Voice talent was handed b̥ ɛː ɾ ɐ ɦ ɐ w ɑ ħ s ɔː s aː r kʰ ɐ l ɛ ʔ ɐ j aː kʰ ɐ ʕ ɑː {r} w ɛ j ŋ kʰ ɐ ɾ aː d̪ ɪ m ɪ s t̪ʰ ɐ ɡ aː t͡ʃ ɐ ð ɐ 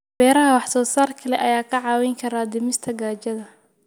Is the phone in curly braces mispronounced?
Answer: yes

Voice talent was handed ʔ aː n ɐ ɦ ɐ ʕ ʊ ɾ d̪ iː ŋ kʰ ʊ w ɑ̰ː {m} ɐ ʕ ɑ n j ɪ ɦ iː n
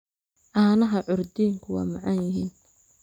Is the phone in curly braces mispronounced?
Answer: no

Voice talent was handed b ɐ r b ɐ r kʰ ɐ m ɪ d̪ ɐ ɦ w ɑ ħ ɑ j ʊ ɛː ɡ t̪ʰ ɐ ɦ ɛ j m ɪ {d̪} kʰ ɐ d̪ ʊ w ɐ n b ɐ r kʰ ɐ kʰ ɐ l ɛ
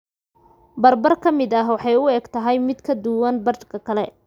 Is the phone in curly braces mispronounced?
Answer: no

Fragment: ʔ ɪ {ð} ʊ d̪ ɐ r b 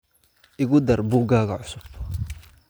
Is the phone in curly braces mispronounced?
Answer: yes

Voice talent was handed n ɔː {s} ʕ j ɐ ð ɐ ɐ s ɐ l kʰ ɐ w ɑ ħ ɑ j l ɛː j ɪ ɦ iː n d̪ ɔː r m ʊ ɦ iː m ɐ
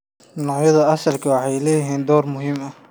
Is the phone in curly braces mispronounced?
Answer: yes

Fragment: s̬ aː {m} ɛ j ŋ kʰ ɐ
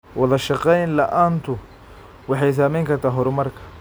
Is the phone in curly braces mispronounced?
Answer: no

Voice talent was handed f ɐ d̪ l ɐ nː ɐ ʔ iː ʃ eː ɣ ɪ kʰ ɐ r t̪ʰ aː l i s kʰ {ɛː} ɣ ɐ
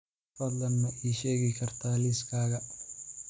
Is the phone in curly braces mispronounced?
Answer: yes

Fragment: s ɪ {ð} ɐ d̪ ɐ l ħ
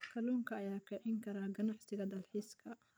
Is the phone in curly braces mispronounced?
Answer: yes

